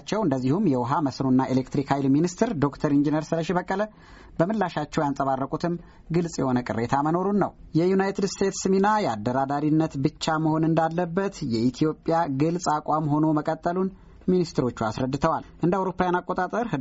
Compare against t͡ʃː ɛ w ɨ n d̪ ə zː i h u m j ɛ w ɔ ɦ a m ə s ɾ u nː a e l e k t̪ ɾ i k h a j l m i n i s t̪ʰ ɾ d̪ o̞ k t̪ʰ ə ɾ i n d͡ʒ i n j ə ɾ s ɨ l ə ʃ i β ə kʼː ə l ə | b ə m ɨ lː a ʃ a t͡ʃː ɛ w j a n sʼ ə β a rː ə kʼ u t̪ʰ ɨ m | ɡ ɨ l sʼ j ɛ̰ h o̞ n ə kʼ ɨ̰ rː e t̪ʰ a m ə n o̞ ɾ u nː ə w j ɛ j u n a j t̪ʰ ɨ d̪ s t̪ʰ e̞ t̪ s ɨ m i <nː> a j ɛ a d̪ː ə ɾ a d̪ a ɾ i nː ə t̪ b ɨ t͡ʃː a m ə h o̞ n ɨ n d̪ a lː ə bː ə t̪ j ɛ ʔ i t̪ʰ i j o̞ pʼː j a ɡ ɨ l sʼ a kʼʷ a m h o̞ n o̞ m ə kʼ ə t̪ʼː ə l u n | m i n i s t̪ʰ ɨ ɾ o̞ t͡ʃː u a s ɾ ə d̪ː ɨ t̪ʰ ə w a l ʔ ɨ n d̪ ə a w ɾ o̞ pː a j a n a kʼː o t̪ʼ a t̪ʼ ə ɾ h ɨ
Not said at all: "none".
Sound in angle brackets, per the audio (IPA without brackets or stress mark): n